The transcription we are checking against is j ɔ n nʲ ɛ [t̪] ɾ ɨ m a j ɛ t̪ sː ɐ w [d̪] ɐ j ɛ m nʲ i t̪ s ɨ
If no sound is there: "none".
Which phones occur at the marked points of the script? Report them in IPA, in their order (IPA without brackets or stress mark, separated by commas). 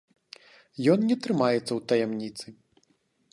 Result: t̪, t̪